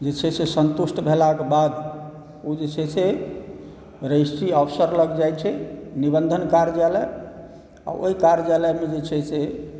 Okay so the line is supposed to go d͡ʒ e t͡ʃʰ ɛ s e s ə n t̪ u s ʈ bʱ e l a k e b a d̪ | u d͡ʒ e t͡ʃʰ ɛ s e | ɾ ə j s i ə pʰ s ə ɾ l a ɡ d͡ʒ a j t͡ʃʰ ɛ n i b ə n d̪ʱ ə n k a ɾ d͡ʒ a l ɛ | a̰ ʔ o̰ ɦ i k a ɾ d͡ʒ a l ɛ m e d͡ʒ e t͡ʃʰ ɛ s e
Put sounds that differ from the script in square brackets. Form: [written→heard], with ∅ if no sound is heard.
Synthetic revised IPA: d͡ʒ e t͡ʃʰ ɛ s e s ə n t̪ u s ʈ bʱ e l a k e b a d̪ | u d͡ʒ e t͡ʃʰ ɛ s e | ɾ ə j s i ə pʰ s ə ɾ l [a→ə] ɡ d͡ʒ a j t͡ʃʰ ɛ n i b ə n d̪ʱ ə n k a ɾ d͡ʒ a l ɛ | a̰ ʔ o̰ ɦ i k a ɾ d͡ʒ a l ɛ m e d͡ʒ e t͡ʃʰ ɛ s e